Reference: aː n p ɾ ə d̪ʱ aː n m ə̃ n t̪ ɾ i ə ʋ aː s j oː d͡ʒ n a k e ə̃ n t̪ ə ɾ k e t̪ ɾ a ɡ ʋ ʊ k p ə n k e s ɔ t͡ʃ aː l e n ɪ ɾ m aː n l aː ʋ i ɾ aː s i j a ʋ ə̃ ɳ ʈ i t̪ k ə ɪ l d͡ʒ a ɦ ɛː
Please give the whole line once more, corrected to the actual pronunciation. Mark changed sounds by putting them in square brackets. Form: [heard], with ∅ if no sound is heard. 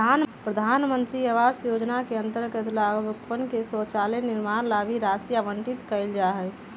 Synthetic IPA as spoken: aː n p ɾ ə d̪ʱ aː n m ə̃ n t̪ ɾ i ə ʋ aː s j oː d͡ʒ n a k e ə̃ n t̪ ə ɾ k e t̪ [l] a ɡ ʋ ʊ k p ə n k e s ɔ t͡ʃ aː l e n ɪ ɾ m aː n l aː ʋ i ɾ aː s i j a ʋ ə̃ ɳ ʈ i t̪ k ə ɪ l d͡ʒ a ɦ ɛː

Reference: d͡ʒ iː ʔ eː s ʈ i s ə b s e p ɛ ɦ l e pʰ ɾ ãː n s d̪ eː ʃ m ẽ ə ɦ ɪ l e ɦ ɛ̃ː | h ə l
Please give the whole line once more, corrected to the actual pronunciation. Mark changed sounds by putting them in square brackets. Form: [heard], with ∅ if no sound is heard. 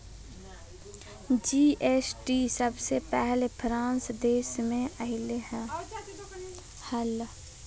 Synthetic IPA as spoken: d͡ʒ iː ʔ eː s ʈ i s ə b s e p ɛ ɦ l e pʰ ɾ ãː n s d̪ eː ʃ m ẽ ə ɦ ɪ l e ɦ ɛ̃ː | h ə l

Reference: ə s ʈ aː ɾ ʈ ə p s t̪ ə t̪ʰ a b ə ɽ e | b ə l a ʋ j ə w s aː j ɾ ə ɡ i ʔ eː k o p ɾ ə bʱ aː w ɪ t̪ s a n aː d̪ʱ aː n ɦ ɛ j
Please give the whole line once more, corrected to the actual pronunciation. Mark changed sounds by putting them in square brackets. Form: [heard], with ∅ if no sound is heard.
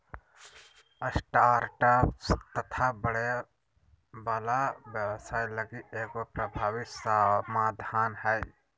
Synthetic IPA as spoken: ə s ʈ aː ɾ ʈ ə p s t̪ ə t̪ʰ a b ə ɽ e | b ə l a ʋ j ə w s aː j [l] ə ɡ i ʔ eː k o p ɾ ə bʱ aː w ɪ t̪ s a [m] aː d̪ʱ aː n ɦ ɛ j

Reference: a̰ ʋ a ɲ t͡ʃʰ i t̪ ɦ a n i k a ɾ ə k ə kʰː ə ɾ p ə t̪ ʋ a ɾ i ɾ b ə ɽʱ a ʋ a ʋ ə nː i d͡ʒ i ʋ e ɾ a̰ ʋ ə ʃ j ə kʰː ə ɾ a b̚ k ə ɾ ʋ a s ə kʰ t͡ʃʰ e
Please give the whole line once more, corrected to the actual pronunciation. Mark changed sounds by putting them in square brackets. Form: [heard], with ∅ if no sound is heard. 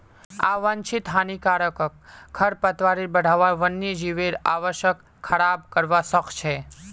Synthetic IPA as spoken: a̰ ʋ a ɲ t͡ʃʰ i t̪ ɦ a n i k a ɾ ə k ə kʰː ə ɾ p ə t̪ ʋ a ɾ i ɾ b ə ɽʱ a ʋ a ʋ ə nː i d͡ʒ i ʋ e ɾ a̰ ʋ ə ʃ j ə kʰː ə ɾ a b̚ k ə ɾ ʋ a s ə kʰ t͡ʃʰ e

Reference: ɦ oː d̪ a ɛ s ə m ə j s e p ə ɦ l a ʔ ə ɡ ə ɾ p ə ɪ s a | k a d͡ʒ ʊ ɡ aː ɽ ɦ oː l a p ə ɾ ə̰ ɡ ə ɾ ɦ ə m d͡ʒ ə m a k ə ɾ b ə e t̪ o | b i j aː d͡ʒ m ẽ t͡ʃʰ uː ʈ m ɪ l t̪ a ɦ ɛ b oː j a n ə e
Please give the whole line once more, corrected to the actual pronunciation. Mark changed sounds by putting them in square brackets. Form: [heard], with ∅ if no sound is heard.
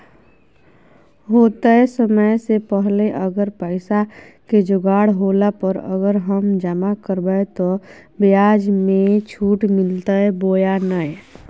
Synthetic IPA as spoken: ɦ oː [t̪] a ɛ s ə m ə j s e p ə ɦ l [e] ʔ ə ɡ ə ɾ p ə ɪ s a | k [e] d͡ʒ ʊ ɡ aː ɽ ɦ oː l a p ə ɾ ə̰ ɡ ə ɾ ɦ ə m d͡ʒ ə m a k ə ɾ b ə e t̪ o | b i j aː d͡ʒ m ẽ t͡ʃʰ uː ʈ m ɪ l t̪ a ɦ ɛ b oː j a n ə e

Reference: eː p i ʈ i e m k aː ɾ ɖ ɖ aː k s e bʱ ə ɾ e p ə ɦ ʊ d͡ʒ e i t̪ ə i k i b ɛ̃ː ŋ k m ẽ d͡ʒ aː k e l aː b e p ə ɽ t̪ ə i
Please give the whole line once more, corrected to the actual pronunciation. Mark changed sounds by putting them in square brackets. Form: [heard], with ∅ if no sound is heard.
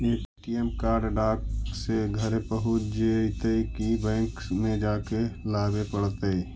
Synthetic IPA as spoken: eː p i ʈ i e m k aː ɾ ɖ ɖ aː k s e [ɡʱ] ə ɾ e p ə ɦ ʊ d͡ʒ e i t̪ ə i k i b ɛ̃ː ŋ k m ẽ d͡ʒ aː k e l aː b e p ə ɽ t̪ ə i

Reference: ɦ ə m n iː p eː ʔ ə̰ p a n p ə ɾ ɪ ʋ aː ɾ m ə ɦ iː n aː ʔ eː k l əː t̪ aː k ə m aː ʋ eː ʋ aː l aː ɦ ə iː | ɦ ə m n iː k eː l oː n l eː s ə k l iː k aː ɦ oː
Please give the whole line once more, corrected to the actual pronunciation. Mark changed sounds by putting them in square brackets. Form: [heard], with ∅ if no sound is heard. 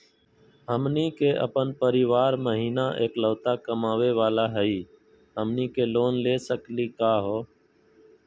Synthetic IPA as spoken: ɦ ə m n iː [k] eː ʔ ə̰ p [ə] n p ə ɾ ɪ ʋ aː ɾ m ə ɦ iː n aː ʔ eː k l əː t̪ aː k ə m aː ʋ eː ʋ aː l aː ɦ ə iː | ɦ ə m n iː k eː l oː n l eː s ə k l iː k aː ɦ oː

